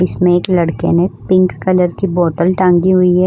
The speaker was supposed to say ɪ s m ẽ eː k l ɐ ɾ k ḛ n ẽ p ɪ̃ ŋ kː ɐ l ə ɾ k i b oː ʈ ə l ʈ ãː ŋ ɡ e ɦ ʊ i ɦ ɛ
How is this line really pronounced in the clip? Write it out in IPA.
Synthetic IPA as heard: ɪ s m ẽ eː k l ɐ ɽ k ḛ n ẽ p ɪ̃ ŋ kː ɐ l ə ɾ k i b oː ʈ ə l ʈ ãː ŋ ɡ i ɦ ʊ i ɦ ɛ